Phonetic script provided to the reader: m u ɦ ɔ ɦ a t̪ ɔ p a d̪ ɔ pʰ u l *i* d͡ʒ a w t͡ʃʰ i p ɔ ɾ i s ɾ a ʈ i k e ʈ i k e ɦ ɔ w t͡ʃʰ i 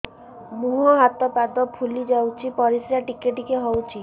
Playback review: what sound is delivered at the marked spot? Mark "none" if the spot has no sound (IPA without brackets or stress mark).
i